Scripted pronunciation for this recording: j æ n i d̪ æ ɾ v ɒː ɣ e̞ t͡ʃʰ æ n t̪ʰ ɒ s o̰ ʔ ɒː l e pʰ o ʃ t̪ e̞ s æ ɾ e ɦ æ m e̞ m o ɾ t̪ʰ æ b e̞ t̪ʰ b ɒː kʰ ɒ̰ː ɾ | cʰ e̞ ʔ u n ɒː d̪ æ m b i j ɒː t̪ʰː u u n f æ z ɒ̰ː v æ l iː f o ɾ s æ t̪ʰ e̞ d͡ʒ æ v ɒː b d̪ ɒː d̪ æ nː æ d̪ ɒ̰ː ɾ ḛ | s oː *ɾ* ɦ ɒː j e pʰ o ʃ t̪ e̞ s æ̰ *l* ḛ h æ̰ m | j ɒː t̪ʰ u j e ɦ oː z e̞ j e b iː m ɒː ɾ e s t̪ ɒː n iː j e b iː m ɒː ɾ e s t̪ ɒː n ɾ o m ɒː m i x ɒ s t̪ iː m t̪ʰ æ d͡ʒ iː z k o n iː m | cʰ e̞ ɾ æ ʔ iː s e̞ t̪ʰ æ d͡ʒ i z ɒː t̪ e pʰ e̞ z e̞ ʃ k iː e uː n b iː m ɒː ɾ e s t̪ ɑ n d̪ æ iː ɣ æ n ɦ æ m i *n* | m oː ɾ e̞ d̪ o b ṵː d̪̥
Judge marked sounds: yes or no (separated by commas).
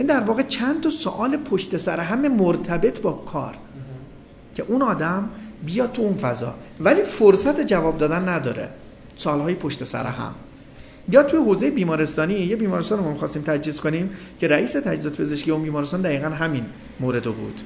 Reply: no, no, yes